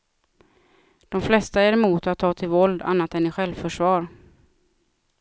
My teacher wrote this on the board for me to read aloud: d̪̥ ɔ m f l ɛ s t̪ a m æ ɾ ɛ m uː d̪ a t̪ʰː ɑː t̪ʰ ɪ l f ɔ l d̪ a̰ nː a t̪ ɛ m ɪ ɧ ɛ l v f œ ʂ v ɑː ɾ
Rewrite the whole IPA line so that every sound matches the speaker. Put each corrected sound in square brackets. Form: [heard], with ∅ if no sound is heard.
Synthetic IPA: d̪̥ ɔ m f l ɛ s t̪ a [∅] æ ɾ ɛ m uː [t̪] a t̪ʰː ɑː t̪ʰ ɪ l [v] ɔ l d̪ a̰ nː a t̪ ɛ [n] ɪ ɧ ɛ l v f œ ʂ v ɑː ɾ